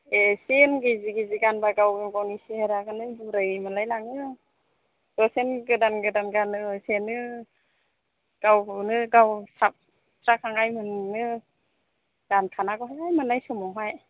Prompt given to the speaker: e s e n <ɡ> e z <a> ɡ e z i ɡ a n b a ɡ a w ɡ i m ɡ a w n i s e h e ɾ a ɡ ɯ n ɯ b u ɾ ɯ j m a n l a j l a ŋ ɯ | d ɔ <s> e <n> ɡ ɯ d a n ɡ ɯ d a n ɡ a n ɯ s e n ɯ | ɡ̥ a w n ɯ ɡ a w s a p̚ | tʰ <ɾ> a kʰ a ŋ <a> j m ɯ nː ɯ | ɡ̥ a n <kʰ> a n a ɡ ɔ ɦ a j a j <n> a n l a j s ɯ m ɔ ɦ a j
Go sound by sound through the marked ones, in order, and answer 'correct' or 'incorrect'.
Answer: correct, incorrect: i, correct, correct, correct, correct, correct, incorrect: m

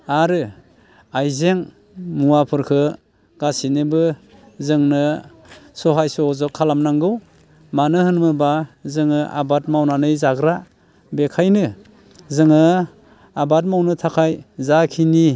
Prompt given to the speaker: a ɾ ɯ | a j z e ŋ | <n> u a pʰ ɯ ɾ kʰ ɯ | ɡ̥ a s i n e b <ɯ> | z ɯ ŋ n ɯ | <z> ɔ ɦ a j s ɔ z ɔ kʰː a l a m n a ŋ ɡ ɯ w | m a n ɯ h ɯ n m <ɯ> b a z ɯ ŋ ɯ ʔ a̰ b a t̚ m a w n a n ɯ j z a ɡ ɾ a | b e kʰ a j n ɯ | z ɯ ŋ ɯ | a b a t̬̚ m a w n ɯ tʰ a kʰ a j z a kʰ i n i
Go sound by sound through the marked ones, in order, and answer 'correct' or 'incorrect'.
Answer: incorrect: m, correct, incorrect: s, correct

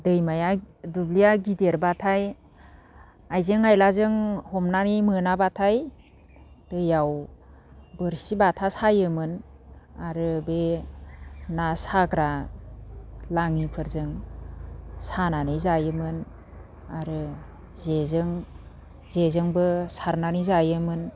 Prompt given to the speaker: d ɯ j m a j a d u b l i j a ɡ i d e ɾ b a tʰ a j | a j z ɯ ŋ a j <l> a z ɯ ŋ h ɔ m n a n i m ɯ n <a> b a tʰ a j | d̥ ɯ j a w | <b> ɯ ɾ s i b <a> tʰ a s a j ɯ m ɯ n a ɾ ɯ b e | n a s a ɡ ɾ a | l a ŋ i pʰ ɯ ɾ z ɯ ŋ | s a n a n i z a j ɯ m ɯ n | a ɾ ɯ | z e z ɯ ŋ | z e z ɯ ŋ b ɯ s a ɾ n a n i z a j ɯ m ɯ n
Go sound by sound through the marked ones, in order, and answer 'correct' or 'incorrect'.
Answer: correct, correct, correct, correct

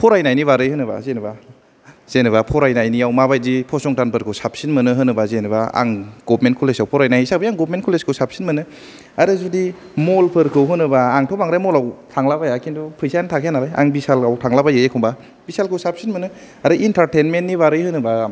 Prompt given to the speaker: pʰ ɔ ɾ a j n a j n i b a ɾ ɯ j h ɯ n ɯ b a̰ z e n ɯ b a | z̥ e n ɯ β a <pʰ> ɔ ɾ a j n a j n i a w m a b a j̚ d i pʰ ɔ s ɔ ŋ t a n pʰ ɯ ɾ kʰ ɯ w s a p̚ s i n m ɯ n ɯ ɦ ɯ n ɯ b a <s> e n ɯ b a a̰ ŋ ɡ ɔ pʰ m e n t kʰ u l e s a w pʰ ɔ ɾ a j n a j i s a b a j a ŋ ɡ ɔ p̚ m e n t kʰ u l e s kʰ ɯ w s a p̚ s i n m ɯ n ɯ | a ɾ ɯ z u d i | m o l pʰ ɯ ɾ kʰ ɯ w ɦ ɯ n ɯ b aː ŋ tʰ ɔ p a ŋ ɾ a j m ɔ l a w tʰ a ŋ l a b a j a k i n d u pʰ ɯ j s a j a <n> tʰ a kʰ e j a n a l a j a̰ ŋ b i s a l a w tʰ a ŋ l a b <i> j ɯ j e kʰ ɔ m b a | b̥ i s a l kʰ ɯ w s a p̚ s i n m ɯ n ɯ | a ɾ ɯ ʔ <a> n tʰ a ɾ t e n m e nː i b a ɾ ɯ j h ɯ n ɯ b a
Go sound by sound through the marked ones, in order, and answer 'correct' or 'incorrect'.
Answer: correct, incorrect: z, correct, incorrect: a, incorrect: i

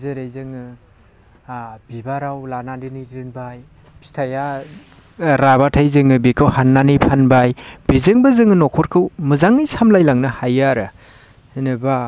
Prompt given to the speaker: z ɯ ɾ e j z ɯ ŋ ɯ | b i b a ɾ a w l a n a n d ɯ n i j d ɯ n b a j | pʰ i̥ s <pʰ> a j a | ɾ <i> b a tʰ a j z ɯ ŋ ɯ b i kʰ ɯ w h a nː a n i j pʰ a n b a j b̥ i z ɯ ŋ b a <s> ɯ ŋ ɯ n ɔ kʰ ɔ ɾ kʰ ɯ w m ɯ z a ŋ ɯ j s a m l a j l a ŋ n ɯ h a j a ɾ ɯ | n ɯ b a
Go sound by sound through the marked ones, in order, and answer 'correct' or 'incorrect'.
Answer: incorrect: tʰ, incorrect: a, incorrect: z

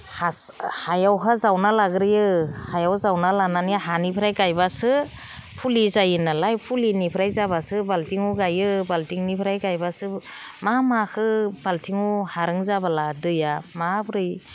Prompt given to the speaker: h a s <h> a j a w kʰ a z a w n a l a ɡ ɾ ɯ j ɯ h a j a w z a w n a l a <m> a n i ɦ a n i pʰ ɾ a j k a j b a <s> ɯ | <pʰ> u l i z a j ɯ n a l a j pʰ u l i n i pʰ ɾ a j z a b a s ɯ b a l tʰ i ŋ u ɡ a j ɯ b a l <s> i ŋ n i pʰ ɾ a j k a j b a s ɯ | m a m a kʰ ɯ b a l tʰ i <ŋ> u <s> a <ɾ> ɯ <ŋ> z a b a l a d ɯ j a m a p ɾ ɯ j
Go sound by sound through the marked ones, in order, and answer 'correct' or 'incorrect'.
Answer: correct, incorrect: n, correct, correct, incorrect: t, correct, incorrect: h, correct, correct

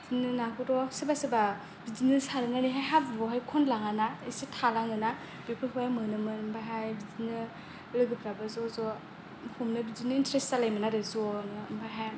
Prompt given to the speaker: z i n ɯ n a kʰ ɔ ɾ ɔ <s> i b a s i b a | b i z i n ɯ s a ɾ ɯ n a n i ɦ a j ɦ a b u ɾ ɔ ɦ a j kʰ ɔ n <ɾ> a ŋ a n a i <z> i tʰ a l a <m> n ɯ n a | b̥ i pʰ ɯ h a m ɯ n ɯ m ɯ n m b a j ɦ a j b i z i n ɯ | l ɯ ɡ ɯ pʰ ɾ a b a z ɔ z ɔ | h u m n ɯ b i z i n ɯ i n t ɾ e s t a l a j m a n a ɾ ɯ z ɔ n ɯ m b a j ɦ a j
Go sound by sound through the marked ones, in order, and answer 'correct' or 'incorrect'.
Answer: correct, incorrect: l, incorrect: s, incorrect: ŋ

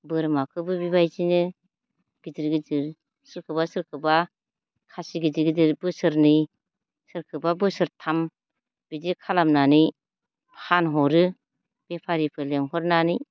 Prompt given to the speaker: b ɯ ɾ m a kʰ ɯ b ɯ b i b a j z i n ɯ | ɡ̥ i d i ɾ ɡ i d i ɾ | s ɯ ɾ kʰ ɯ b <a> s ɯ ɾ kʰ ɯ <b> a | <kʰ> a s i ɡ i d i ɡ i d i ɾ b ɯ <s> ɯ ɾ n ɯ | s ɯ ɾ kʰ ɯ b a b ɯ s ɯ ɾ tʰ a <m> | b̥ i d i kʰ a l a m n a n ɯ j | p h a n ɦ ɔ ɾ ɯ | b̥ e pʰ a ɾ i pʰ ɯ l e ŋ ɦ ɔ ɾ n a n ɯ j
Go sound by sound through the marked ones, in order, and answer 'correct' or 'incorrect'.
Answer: correct, correct, correct, correct, correct

